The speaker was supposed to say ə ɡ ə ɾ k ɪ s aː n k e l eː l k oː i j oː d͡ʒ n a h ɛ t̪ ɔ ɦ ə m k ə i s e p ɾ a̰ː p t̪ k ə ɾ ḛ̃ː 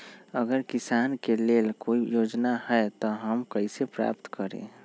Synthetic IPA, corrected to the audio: ə ɡ ə ɾ k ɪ s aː n k e l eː l k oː i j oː d͡ʒ n a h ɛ t̪ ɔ ɦ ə m k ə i s e p ɾ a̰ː p t̪ k ə ɾ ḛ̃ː